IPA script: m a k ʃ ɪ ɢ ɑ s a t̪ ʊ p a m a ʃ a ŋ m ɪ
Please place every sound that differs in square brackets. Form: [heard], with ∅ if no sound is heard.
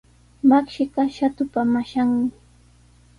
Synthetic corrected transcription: m a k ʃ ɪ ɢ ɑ [ʃ] a t̪ ʊ p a m a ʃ a ŋ m ɪ